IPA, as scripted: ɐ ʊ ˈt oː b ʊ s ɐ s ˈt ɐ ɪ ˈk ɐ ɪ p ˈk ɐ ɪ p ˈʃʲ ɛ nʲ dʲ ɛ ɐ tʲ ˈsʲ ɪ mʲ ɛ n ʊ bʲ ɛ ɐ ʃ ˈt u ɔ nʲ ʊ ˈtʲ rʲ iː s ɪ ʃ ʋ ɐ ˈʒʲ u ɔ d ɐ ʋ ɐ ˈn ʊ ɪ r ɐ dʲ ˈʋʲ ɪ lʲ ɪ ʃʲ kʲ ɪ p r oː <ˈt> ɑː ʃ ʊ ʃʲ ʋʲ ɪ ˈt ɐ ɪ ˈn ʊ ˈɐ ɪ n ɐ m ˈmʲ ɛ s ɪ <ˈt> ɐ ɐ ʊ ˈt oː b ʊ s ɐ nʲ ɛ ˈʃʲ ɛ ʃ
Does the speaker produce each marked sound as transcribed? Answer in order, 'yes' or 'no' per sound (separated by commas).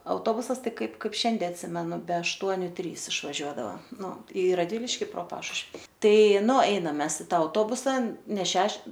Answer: no, yes